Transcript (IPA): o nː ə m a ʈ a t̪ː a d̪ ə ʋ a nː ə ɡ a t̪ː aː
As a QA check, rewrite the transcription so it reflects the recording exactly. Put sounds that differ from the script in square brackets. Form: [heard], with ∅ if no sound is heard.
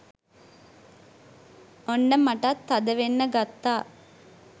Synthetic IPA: o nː ə m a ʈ a t̪ː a d̪ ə ʋ [e] nː ə ɡ a t̪ː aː